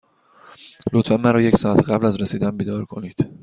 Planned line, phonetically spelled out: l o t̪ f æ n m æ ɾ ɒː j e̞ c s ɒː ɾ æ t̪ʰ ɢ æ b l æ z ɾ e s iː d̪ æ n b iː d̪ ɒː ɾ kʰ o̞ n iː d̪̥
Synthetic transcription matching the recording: l o t̪ f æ n m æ ɾ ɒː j e̞ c s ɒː æ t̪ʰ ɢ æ b l æ z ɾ e s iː d̪ æ n b iː d̪ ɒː ɾ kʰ o̞ n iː d̪̥